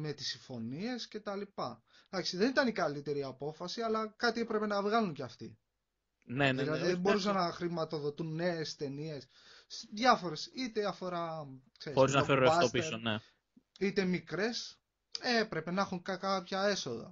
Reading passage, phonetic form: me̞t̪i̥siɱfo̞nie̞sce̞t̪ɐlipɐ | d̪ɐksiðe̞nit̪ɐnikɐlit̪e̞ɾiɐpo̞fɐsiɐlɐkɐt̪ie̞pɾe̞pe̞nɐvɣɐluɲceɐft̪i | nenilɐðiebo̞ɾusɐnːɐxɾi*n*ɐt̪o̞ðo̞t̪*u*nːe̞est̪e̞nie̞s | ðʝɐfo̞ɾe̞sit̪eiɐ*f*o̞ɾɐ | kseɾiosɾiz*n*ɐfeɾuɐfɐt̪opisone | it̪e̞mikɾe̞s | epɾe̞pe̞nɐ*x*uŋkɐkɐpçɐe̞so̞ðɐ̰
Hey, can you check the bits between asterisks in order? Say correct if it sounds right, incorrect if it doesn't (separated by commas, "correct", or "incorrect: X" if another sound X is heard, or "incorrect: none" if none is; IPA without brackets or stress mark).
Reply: incorrect: m, correct, correct, correct, correct